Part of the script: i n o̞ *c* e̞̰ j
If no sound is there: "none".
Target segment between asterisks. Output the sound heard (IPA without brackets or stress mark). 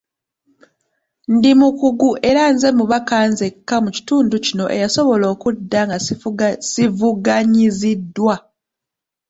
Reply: ʔ